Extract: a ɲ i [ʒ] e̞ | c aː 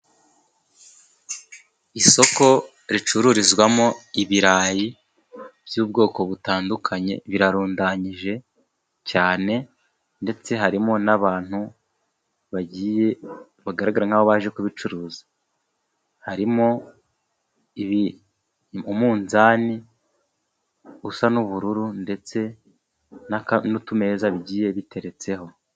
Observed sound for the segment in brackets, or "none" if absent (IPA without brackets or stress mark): ʒ